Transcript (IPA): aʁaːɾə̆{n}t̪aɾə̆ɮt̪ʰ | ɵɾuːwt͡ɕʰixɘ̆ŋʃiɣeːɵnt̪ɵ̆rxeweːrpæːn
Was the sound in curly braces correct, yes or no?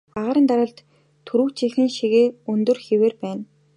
yes